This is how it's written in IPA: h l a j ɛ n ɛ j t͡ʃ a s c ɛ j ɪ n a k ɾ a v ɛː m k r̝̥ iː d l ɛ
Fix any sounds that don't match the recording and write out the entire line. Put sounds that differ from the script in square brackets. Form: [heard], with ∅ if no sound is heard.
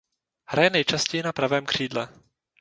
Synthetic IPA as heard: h [ɾ] a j ɛ n ɛ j t͡ʃ a s c ɛ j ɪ n a [p] ɾ a v ɛː m k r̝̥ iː d l ɛ